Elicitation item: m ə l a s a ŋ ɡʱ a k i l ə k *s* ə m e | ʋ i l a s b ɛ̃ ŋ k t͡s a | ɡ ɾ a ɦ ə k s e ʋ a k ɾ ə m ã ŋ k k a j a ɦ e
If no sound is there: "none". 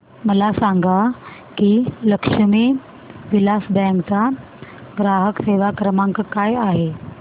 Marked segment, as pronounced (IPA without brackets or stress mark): ʂ